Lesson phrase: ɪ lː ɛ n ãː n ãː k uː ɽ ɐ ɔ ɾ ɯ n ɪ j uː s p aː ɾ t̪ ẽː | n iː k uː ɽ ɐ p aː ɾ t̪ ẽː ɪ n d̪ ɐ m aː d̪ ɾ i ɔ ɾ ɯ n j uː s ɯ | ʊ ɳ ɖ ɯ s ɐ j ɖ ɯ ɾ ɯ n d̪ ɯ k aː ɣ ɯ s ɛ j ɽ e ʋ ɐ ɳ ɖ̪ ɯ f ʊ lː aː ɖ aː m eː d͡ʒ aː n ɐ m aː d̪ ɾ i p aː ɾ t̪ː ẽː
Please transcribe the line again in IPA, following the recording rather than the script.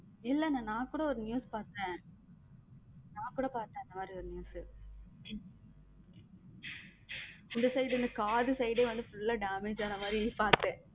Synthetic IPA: ɪ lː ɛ n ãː n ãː k uː ɽ ɐ ɔ ɾ ɯ n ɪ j uː s p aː ɾ t̪ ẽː | n aː k uː ɽ ɐ p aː ɾ t̪ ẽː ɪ n d̪ ɐ m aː d̪ ɾ i ɔ ɾ ɯ n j uː s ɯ | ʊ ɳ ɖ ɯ s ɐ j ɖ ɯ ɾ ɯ n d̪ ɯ k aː ð ɯ s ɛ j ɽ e ʋ ɐ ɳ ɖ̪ ɯ f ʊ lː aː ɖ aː m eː d͡ʒ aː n ɐ m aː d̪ ɾ i p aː ɾ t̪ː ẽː